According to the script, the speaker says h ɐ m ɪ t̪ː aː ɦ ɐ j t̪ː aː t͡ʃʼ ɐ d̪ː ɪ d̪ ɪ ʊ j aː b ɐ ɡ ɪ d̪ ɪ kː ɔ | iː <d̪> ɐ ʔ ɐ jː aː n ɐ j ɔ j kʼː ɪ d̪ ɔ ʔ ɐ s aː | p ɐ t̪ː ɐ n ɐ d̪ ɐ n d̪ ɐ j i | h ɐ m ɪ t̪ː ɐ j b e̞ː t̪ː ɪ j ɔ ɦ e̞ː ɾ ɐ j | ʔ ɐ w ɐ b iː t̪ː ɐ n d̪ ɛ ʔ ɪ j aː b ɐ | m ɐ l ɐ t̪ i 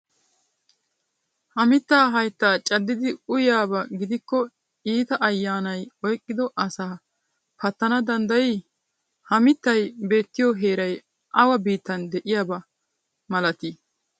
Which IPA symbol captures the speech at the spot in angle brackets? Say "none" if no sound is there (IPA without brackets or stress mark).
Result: t̪